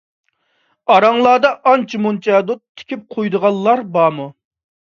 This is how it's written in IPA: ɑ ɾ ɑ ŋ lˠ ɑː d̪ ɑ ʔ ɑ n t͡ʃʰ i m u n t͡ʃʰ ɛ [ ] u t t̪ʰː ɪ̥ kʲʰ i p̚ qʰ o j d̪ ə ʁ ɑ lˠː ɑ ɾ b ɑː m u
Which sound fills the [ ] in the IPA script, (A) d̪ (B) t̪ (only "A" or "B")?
A